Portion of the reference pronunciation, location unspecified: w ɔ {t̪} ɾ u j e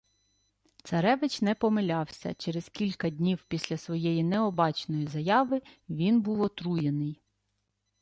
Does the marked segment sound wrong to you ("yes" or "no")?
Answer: no